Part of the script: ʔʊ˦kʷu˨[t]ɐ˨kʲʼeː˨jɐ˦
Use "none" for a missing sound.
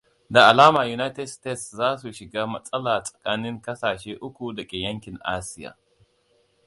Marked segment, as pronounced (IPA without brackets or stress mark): d